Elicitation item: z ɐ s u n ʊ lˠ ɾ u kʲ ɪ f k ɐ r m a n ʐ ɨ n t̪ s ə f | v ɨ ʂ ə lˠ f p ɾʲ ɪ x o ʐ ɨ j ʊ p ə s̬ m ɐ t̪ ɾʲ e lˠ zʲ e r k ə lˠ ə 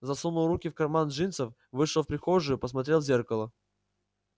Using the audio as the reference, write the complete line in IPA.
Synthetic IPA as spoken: z ɐ s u n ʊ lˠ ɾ u kʲ ɪ f k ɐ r m a n ʐ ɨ n t̪ s ə f | v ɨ ʂ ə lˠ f p ɾʲ ɪ x o ʐ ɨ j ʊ p ə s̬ m ɐ t̪ ɾʲ e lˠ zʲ e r k ə lˠ ə